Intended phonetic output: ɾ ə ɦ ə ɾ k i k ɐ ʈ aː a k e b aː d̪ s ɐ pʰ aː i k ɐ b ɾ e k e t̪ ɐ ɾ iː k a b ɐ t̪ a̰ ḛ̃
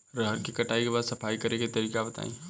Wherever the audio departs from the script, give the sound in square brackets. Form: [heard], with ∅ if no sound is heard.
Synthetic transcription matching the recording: ɾ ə ɦ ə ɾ k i k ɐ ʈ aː [i] k e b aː d̪ s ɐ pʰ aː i k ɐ [∅] ɾ e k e t̪ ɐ ɾ iː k a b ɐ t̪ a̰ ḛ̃